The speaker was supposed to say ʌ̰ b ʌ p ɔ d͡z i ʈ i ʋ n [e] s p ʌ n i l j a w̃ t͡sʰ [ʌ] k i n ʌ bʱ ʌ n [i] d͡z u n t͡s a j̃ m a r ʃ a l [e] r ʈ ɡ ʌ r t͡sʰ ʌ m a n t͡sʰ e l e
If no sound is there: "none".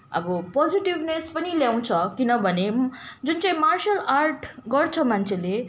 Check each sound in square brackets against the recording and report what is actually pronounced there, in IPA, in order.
e, ʌ, e, a

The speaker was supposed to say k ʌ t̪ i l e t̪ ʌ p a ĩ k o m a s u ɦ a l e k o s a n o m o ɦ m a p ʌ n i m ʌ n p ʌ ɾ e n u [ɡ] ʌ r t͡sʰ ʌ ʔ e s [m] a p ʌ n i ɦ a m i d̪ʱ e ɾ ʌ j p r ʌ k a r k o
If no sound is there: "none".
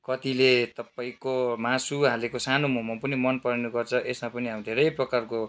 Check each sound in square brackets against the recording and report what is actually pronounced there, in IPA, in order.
ɡ, m

